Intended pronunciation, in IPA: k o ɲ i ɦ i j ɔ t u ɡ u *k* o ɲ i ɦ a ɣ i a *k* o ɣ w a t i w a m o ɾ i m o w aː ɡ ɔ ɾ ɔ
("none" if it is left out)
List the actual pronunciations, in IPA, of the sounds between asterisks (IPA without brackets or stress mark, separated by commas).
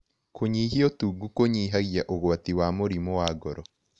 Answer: k, ʔ